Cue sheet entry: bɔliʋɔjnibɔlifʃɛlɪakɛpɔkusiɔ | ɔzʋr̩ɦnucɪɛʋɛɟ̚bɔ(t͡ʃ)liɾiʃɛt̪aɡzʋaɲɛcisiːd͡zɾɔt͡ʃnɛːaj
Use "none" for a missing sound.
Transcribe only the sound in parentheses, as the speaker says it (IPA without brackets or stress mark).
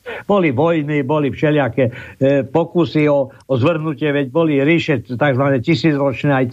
none